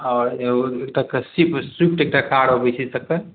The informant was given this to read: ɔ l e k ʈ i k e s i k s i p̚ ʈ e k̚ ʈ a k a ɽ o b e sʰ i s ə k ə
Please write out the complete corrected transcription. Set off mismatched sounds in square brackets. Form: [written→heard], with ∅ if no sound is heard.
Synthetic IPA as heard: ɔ [l→ɾ] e k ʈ [i→a] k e s i [k→p] s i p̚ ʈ e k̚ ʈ a k a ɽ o b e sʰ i s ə k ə